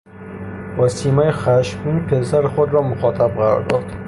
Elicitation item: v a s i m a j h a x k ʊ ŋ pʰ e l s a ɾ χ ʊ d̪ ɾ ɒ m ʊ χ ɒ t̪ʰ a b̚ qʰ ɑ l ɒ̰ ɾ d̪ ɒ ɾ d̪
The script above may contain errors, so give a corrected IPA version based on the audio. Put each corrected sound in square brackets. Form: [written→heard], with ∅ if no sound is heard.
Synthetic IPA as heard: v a s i m a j [h→χ] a [x→ʃ] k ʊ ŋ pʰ e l s a ɾ χ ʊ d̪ ɾ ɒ m ʊ χ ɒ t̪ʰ a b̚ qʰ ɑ [l→ɾ] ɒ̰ ɾ d̪ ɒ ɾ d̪